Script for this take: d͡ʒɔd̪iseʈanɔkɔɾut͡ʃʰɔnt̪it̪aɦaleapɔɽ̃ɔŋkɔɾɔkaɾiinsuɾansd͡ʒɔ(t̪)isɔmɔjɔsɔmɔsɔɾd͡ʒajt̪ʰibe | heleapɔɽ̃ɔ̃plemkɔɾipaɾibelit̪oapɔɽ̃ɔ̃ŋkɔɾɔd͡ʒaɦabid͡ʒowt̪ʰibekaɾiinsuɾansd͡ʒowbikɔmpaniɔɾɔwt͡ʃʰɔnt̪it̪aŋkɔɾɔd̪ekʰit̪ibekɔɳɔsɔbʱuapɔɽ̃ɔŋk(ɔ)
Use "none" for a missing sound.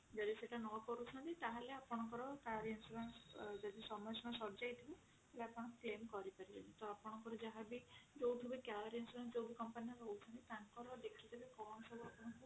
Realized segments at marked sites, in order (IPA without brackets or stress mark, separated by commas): d̪, u